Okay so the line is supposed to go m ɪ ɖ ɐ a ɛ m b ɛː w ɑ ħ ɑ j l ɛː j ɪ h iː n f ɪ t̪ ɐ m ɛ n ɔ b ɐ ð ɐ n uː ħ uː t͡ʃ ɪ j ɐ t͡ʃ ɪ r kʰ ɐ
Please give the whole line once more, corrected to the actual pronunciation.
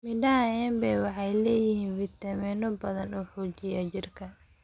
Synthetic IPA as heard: m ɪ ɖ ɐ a ɛ m b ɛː w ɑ ħ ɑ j l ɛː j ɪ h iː n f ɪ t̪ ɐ m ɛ n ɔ b ɐ ð ɐ n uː ħ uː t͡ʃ ɪ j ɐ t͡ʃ ɪ r kʰ ɐ